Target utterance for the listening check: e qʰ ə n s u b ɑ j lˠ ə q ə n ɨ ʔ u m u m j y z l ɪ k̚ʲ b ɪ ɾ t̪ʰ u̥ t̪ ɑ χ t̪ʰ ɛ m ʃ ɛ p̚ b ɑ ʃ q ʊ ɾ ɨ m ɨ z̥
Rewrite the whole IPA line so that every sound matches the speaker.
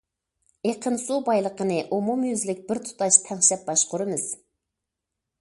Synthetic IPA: e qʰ ə n s u b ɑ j lˠ ə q ə n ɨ ʔ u m u m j y z l ɪ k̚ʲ b ɪ ɾ t̪ʰ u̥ t̪ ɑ ʃ t̪ʰ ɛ ŋ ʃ ɛ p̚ b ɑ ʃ q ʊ ɾ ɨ m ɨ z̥